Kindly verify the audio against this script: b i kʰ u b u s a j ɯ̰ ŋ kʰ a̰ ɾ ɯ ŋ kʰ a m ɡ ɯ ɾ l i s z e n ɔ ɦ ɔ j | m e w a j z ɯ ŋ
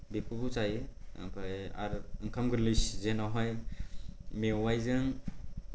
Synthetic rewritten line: b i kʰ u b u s a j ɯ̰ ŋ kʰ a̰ ɾ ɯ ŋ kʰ a m ɡ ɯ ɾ l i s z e n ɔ ɦ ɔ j | m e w a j z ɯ ŋ